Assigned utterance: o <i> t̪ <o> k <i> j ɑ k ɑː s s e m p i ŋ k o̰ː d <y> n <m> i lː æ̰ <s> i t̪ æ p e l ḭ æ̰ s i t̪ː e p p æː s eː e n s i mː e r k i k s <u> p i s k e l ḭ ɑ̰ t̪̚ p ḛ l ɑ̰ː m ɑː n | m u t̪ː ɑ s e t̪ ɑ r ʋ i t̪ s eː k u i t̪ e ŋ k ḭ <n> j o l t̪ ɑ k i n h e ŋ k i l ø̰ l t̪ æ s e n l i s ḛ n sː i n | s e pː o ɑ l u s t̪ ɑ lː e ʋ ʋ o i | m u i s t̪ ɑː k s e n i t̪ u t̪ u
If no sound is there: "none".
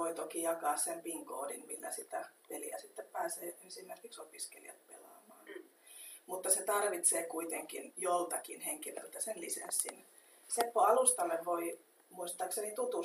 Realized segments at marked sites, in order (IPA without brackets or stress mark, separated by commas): i, o, i, i, m, s, o, n